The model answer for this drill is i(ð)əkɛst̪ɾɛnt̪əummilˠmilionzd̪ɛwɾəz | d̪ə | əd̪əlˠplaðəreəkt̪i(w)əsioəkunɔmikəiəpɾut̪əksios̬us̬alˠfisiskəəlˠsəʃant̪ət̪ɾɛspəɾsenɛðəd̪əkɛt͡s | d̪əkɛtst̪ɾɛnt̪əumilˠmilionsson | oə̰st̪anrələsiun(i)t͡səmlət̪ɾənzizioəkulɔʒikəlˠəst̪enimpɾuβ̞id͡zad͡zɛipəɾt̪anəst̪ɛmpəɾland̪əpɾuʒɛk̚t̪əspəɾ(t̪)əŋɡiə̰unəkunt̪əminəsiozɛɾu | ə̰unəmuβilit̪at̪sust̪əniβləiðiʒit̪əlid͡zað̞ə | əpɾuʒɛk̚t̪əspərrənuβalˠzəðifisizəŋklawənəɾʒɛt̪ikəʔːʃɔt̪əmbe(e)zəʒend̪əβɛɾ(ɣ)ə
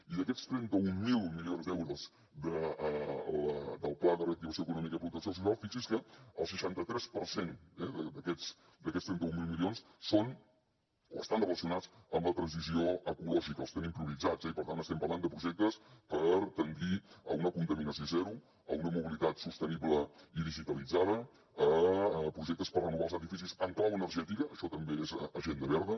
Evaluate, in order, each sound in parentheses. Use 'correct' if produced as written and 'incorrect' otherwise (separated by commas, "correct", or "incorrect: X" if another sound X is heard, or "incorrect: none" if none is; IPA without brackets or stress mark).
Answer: correct, incorrect: β, incorrect: a, correct, correct, incorrect: ð